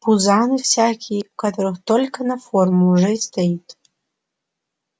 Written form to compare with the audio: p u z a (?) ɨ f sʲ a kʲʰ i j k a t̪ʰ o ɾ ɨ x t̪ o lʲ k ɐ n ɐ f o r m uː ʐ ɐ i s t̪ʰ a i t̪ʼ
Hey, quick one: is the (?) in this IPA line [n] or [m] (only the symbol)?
n